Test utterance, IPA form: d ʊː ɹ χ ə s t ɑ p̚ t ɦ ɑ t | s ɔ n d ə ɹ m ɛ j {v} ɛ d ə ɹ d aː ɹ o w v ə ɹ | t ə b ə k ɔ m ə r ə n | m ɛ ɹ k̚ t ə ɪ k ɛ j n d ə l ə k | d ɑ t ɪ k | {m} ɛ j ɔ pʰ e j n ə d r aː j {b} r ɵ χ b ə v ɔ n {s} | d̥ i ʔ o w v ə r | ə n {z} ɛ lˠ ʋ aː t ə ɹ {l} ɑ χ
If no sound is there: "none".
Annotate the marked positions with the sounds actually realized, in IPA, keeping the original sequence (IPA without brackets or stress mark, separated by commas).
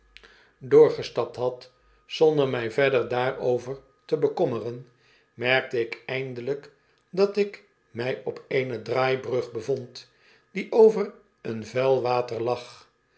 v, m, b, t, v, l